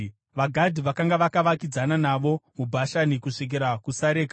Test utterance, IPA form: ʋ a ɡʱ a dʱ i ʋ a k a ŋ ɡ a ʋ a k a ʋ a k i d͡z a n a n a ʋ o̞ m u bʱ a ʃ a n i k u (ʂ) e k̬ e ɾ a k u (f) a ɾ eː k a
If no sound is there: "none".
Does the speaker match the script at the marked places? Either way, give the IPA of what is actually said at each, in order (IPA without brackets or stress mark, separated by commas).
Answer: ʂ, s